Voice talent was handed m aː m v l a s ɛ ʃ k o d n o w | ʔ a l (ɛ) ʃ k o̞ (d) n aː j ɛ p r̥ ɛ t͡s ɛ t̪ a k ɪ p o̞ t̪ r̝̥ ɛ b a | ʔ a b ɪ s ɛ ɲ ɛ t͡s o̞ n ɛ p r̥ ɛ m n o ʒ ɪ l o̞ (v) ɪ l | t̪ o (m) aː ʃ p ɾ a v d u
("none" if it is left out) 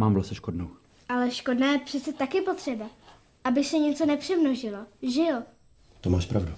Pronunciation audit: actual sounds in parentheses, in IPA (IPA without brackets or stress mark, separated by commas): ɛ, d, ʒ, m